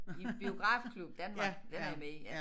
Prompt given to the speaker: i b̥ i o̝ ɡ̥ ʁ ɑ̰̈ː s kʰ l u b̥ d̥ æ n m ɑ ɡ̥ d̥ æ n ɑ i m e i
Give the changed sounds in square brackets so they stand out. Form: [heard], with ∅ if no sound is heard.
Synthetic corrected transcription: i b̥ i o̝ ɡ̥ ʁ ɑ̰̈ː [f] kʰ l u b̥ d̥ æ n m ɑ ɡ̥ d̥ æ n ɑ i m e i